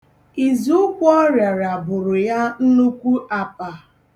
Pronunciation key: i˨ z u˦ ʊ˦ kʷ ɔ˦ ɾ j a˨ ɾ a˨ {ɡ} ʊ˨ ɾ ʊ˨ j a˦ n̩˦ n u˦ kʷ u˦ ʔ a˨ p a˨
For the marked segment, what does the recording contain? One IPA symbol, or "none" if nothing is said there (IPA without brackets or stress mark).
b